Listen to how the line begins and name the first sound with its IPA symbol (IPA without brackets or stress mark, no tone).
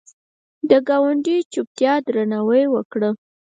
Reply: d̪